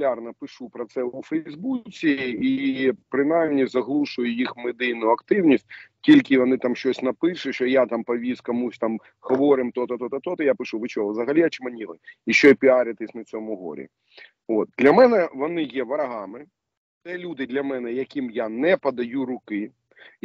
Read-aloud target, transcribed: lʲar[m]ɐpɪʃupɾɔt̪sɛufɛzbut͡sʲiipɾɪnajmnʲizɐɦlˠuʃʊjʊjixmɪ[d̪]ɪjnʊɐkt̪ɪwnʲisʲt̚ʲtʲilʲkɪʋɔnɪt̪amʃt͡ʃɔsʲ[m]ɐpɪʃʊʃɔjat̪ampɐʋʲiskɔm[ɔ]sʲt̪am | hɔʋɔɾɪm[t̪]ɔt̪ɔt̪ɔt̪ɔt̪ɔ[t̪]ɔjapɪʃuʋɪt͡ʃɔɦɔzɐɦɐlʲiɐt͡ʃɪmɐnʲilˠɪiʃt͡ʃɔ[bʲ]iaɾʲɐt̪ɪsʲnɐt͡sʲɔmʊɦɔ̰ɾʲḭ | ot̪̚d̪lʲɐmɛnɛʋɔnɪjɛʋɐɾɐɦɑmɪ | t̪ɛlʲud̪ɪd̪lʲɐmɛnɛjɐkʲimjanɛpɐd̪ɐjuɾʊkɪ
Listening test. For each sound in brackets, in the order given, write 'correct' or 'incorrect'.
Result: incorrect: n, correct, incorrect: n, incorrect: u, correct, correct, incorrect: pʲ

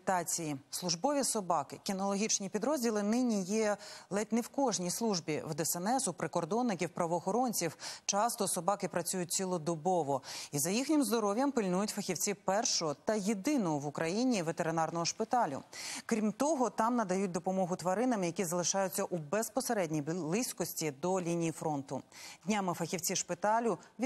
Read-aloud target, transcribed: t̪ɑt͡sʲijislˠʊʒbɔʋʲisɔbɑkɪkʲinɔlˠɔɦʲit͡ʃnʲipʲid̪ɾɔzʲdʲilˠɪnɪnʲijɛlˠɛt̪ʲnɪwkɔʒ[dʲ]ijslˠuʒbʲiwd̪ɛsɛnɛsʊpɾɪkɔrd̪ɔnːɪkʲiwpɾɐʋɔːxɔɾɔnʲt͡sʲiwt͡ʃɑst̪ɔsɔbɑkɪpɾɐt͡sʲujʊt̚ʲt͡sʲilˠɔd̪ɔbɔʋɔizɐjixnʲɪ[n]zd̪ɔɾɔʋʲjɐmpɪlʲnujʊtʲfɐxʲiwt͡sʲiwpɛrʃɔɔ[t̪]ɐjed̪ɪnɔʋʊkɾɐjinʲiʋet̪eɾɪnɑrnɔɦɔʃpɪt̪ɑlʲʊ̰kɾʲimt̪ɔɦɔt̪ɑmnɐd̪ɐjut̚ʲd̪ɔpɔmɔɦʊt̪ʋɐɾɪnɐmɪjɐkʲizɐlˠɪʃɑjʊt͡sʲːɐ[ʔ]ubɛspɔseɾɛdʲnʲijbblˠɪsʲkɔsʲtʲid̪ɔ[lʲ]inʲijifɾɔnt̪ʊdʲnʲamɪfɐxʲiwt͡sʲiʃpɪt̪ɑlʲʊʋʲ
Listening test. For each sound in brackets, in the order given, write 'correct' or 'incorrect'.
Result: incorrect: nʲ, incorrect: m, correct, correct, correct

